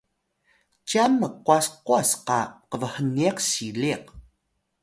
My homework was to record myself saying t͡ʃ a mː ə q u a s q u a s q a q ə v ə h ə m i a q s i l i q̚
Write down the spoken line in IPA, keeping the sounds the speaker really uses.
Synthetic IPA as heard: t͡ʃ a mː ə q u a s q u a s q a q ə v ə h ə n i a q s i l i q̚